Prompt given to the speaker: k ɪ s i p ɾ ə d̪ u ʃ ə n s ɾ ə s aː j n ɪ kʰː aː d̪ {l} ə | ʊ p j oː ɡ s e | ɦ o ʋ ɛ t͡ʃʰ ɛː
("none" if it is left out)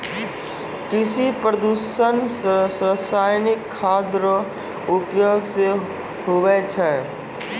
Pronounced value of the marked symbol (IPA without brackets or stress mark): ɾ